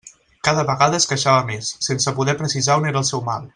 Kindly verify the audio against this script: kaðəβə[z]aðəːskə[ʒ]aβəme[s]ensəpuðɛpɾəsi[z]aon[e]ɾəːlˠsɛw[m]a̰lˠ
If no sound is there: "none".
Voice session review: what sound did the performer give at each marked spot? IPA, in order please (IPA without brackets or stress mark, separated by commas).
ɣ, ʃ, sː, z, e, m